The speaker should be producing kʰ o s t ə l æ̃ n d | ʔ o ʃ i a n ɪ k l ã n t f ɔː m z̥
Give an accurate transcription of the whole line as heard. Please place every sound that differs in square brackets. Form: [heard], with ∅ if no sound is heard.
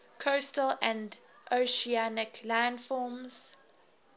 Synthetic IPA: kʰ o s t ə l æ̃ n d | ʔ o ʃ i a n ɪ k l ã n [d] f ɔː m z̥